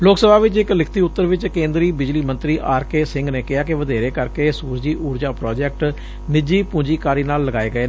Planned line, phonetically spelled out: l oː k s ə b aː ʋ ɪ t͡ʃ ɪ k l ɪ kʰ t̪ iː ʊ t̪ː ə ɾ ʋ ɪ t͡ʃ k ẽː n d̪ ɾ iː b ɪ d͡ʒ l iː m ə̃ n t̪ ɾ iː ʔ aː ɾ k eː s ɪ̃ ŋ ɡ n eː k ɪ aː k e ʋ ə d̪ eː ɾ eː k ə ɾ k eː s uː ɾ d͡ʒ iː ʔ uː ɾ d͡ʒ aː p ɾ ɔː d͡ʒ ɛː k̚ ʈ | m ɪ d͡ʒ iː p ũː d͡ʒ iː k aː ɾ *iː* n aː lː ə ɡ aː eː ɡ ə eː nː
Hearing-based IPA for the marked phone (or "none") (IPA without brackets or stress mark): iː